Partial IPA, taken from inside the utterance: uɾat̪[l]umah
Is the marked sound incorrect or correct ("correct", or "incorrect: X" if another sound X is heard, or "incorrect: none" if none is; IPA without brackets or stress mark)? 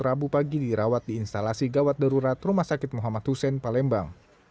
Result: incorrect: r